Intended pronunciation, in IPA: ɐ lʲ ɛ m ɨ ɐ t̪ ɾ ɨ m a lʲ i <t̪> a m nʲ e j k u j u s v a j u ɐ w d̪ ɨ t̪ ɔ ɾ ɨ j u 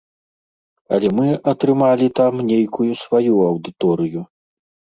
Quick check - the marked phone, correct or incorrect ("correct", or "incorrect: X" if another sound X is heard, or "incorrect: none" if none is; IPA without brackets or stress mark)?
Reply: correct